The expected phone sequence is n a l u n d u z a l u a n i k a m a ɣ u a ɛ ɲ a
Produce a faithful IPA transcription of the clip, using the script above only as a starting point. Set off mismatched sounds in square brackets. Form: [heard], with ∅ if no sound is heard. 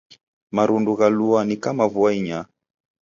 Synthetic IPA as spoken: [m] a [ɾ] u n d u [ɣ] a l u a n i k a m a [v] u a [i] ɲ a